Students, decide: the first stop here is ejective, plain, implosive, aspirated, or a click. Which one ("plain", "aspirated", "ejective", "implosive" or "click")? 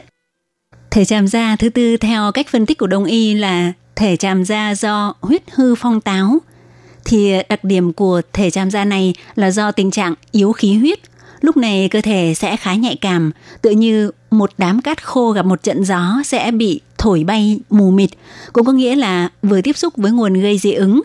aspirated